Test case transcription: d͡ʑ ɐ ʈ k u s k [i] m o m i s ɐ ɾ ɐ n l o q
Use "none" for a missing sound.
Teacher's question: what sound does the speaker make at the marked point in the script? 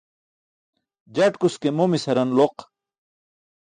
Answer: e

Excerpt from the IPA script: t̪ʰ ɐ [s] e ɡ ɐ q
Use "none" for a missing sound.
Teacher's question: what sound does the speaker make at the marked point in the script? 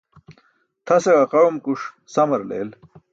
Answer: s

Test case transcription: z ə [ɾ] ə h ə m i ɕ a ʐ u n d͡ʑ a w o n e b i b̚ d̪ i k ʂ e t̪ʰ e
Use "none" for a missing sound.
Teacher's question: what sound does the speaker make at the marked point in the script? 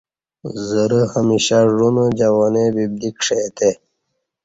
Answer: ɾ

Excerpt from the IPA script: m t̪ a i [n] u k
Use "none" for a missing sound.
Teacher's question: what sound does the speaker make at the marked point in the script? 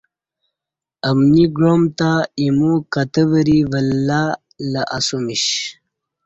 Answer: m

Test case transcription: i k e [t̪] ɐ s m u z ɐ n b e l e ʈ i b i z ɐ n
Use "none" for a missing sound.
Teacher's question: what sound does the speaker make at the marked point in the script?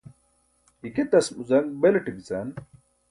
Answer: t̪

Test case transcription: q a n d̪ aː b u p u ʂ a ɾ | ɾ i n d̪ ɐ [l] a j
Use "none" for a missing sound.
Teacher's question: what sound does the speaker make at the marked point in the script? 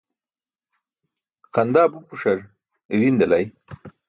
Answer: l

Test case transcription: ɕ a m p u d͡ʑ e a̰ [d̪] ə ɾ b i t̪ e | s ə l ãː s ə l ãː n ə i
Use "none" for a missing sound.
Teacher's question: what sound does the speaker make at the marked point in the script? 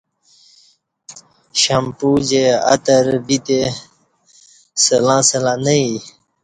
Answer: t̪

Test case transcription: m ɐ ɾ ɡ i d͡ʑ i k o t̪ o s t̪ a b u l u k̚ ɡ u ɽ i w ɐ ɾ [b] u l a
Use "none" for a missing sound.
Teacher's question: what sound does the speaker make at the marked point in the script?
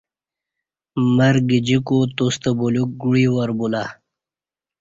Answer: b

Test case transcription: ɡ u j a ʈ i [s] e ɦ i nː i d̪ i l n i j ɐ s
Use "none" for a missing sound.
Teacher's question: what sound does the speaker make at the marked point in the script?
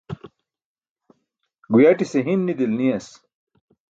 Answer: s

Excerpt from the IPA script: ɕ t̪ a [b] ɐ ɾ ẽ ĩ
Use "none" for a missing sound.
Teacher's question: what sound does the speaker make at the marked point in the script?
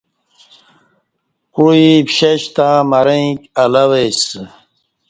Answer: m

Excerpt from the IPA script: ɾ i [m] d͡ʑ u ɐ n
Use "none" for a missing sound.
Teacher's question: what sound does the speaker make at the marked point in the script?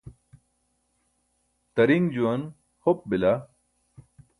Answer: ŋ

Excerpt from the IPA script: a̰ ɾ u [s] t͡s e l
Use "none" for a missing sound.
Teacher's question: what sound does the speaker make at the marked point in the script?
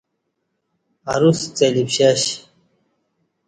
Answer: s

